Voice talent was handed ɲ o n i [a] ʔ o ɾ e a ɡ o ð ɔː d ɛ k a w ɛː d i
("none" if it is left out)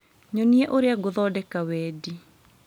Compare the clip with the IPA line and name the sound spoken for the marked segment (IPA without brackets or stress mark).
ɛ